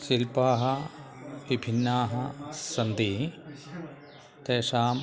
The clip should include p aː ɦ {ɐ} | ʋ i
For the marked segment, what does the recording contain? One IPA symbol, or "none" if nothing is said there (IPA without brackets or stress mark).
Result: ɐ